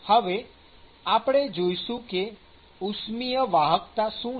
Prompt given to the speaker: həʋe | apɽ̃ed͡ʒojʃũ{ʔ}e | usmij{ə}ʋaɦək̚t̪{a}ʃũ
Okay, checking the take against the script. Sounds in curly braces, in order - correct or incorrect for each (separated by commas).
incorrect, correct, correct